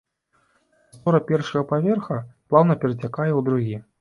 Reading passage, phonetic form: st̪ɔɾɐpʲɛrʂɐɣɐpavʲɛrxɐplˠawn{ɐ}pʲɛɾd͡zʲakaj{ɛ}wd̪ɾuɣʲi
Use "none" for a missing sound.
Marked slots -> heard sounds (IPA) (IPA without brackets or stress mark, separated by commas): ɐ, ɛ